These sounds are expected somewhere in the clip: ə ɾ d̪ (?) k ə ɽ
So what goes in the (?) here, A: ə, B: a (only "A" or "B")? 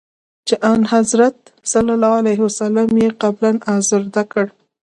B